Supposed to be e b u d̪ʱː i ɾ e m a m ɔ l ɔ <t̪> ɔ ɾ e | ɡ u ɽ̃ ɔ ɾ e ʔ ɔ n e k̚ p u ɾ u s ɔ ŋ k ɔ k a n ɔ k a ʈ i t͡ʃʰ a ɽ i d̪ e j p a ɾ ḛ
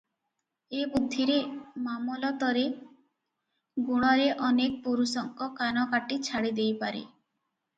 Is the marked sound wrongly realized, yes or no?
no